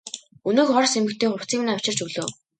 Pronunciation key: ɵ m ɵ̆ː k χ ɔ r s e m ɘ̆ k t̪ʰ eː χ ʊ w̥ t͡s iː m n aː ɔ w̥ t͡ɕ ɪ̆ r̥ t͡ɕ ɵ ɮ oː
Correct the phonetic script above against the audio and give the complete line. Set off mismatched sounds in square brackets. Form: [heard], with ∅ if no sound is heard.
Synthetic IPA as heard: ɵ [n] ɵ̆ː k χ ɔ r s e m ɘ̆ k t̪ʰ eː χ ʊ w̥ t͡s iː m n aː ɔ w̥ t͡ɕ ɪ̆ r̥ t͡ɕ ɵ ɮ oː